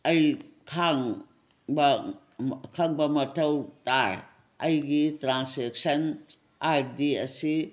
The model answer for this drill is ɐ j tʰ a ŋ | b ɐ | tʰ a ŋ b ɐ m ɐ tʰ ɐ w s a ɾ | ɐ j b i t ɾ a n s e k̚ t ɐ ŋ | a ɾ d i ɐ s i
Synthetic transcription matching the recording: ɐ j kʰ a ŋ | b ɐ | kʰ a ŋ b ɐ m ɐ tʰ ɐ w t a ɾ | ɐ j ɡ i t ɾ a n s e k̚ s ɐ n | a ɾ d i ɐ s i